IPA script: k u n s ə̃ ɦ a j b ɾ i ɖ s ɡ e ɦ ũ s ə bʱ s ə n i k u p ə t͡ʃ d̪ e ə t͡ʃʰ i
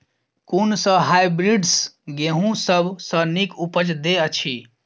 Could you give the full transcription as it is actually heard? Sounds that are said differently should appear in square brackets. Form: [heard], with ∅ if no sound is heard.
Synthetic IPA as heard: k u n s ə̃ ɦ a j b ɾ i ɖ s ɡ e ɦ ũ s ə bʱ s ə n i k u p ə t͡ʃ d̪ e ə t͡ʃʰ i